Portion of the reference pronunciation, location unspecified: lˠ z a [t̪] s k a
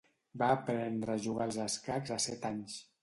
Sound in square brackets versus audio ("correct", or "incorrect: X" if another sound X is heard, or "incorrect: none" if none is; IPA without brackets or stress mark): incorrect: none